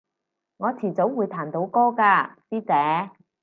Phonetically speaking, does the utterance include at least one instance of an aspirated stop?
yes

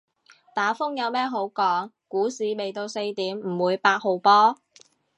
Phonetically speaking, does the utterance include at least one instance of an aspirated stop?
no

